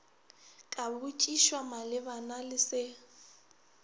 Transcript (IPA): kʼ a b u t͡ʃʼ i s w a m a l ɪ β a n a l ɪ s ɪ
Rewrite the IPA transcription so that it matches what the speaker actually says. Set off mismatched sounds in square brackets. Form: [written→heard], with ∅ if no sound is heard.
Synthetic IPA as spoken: kʼ a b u t͡ʃʼ i [s→ʃ] w a m a l ɪ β a n a l ɪ s ɪ